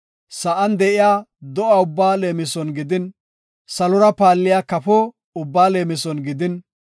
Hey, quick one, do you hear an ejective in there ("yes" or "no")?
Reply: no